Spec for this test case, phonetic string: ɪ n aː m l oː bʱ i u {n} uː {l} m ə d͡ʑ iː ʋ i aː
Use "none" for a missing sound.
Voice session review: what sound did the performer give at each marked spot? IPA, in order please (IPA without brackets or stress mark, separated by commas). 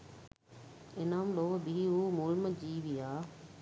m, l